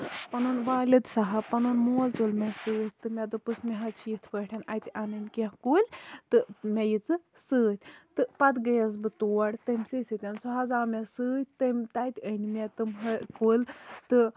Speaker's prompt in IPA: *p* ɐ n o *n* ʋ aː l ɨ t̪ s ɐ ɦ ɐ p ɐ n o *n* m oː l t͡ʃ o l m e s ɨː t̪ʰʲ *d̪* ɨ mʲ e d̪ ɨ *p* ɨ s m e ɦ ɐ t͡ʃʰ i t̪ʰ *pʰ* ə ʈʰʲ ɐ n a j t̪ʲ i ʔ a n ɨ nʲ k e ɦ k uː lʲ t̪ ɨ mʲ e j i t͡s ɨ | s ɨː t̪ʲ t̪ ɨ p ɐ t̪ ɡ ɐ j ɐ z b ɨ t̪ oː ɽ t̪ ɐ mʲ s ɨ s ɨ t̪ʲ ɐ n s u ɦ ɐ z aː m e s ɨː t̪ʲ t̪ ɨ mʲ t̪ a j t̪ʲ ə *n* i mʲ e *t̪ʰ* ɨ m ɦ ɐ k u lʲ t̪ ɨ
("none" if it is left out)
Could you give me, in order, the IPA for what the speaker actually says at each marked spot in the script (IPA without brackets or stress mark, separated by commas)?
p, n, n, t̪, p, p, n, t̪